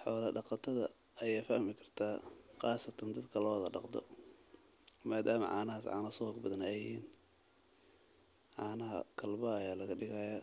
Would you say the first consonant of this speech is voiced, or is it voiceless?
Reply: voiceless